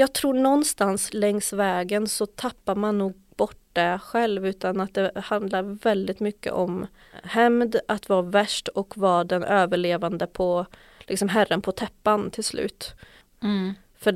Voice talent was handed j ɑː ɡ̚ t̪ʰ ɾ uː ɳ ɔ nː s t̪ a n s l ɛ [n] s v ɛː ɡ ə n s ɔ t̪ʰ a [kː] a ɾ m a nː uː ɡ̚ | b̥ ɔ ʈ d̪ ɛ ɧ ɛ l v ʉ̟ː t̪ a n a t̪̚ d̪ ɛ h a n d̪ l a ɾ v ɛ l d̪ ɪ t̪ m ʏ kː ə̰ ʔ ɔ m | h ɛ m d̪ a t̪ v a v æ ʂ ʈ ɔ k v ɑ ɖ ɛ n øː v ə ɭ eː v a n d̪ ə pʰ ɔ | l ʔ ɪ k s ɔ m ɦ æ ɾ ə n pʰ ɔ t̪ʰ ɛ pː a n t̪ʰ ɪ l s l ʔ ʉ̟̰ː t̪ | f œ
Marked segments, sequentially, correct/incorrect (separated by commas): incorrect, incorrect